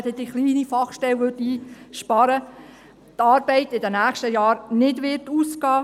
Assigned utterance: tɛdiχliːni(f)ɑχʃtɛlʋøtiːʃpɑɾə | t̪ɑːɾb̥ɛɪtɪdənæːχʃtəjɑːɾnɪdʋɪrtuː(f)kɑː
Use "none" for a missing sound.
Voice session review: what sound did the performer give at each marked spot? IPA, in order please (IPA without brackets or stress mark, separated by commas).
f, s